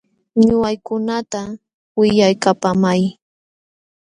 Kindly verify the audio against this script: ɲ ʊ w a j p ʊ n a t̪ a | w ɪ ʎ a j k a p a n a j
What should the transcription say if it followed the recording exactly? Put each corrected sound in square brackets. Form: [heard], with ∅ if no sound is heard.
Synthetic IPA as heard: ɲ ʊ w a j [k] ʊ n a t̪ a | w ɪ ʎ a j k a p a [m] a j